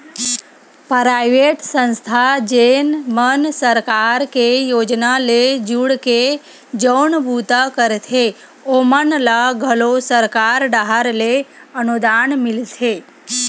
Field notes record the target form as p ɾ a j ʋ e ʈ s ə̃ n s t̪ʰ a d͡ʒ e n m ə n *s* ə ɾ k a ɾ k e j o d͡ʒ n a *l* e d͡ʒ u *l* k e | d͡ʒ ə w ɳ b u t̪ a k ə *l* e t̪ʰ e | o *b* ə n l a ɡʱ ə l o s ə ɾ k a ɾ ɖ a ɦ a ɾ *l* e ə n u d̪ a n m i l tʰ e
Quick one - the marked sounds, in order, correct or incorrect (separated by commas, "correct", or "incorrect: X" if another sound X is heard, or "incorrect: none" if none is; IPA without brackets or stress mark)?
correct, correct, incorrect: ɽ, incorrect: ɾ, incorrect: m, correct